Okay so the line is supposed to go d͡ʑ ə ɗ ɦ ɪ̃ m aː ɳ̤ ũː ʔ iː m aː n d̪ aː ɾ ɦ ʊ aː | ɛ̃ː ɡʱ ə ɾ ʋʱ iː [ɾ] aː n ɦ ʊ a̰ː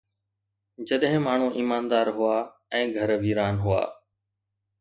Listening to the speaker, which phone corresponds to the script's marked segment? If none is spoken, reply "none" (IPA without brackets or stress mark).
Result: ɾ